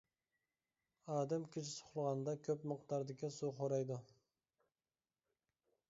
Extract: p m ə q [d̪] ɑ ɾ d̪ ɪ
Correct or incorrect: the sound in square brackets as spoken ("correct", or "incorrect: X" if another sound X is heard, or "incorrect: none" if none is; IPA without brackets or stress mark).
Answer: incorrect: t̪